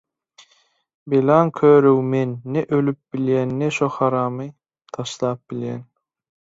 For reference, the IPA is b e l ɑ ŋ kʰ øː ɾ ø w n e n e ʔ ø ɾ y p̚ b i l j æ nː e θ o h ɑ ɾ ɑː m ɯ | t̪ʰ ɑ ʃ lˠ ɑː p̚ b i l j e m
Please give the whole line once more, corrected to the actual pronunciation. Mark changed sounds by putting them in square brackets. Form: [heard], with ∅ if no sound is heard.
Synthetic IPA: b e l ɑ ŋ kʰ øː ɾ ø w [m] e [nː] e ʔ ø [l] y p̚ b i l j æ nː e [ʃ] o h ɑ ɾ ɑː m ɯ | t̪ʰ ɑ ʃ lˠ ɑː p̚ b i l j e [n]